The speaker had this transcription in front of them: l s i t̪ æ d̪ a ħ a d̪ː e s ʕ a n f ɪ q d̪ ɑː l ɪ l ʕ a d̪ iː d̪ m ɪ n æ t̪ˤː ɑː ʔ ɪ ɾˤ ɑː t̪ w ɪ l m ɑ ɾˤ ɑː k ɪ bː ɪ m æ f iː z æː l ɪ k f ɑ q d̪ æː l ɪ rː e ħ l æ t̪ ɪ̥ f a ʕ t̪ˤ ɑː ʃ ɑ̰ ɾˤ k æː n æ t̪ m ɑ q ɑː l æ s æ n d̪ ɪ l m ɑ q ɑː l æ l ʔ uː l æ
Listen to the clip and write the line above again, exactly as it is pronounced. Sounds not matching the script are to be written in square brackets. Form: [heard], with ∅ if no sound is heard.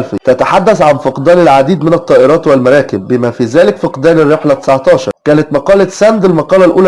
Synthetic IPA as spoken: l [f] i t̪ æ [t̪] a ħ a d̪ː [æ] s ʕ a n f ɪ q d̪ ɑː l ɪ l ʕ a d̪ iː d̪ m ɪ n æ t̪ˤː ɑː ʔ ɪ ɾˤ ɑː t̪ w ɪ l m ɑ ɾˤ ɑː k ɪ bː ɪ m æ f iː z æː l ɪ k f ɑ q d̪ æː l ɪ rː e ħ l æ t̪ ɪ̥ [s] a ʕ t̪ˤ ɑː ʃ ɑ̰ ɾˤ k æː n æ t̪ m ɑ q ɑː l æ s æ n d̪ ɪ l m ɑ q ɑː l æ l ʔ uː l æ